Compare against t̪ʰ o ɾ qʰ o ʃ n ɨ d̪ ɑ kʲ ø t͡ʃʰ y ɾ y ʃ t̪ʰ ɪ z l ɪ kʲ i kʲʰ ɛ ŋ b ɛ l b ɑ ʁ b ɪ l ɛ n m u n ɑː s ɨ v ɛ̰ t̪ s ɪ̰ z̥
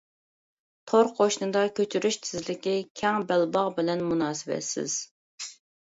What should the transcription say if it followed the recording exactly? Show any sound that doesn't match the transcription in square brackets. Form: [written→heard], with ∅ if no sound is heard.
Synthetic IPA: t̪ʰ o ɾ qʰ o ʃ n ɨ d̪ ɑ kʲ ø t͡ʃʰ y ɾ y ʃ t̪ʰ ɪ z l ɪ kʲ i kʲʰ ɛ ŋ b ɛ l b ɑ ʁ b ɪ l ɛ n m u n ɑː s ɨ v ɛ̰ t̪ s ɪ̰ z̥